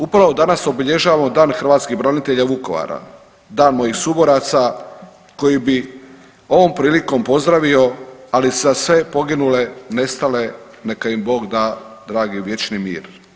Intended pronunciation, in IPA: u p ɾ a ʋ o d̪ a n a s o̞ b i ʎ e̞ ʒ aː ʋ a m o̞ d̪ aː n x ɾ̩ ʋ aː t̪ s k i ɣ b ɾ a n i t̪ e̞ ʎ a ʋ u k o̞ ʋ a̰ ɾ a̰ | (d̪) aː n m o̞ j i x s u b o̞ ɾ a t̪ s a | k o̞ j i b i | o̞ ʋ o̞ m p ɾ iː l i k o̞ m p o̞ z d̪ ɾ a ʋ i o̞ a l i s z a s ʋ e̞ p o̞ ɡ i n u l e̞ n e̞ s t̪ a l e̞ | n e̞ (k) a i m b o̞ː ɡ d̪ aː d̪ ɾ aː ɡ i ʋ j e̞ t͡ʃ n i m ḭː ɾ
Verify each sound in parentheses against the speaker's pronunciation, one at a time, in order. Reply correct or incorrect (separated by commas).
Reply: correct, correct